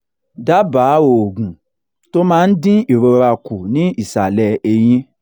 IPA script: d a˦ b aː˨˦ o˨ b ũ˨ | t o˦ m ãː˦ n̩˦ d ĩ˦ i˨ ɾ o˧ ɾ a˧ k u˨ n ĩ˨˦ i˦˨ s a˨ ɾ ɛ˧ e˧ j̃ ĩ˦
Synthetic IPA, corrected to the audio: d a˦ b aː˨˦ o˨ ɡ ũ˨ | t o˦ m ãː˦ n̩˦ d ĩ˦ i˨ ɾ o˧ ɾ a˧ k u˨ n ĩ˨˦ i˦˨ s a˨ l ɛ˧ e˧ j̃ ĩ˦